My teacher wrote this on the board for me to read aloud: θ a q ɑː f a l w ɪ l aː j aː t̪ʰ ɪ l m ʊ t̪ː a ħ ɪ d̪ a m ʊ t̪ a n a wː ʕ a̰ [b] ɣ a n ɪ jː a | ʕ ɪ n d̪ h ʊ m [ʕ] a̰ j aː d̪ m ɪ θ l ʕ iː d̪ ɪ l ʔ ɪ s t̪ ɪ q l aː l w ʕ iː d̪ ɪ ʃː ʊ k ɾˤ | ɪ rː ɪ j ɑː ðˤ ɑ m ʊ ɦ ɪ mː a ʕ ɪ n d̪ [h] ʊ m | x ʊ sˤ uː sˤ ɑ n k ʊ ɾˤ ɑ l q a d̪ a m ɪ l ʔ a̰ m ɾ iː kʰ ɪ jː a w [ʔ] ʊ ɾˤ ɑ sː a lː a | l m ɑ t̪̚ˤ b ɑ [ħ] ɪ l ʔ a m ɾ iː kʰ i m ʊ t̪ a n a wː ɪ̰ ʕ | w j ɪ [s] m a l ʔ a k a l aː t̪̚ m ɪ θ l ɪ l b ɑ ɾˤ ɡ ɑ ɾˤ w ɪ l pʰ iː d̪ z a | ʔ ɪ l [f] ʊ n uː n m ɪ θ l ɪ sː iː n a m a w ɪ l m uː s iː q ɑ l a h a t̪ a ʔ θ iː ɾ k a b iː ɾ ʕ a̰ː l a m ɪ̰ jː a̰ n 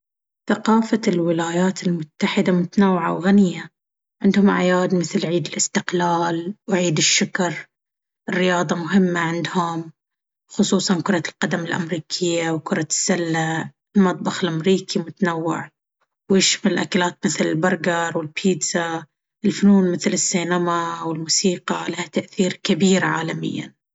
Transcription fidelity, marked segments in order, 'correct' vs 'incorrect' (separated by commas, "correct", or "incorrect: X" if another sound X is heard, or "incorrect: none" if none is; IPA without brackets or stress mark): incorrect: w, correct, correct, incorrect: k, incorrect: x, incorrect: ʃ, correct